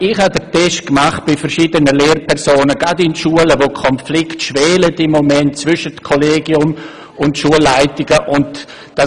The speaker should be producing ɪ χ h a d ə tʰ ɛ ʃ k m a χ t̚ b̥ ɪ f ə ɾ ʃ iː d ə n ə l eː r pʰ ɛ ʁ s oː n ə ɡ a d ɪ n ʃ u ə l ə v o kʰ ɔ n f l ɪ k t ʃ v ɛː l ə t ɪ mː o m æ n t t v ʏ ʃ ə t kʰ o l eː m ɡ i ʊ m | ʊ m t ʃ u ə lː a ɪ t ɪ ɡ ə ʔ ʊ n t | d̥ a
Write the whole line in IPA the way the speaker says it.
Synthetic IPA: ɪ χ h a d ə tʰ ɛ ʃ k m a χ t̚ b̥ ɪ f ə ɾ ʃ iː d ə n ə l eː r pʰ ɛ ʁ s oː n ə ɡ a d ɪ n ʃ u ə l ə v o kʰ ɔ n f l ɪ k t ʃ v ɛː l ə t ɪ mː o m ɛ n t t͡s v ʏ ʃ ə t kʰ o l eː ɡ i ʊ m | ʊ n t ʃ u ə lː a ɪ t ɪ ɡ ə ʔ ʊ n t | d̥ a